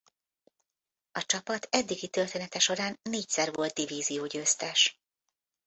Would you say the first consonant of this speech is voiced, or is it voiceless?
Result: voiceless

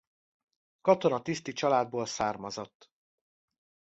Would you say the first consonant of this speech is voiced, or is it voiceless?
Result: voiceless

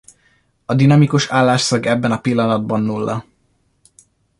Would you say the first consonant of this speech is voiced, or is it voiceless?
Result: voiced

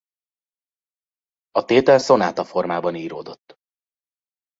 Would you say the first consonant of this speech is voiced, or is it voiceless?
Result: voiceless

